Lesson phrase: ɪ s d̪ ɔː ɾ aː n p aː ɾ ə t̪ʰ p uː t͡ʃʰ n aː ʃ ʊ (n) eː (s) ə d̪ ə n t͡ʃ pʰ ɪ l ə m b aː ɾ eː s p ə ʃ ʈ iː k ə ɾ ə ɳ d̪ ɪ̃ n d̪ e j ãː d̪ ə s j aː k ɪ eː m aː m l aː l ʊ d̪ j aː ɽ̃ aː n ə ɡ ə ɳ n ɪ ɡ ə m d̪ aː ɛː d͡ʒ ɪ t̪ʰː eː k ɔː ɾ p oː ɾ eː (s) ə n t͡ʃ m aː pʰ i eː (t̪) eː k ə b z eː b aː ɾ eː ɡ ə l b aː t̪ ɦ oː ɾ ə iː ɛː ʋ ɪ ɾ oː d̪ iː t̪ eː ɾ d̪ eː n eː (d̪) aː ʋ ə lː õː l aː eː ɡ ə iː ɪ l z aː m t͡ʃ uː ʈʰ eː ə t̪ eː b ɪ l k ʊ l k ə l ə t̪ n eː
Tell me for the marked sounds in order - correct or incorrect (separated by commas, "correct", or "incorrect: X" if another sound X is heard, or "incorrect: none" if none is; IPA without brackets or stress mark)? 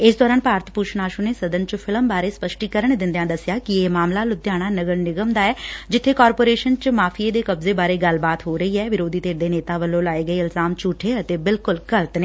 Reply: correct, correct, incorrect: ʃ, incorrect: d̪, incorrect: t̪